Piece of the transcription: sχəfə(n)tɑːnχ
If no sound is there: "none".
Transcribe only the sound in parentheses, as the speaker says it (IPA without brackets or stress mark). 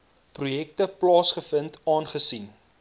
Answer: n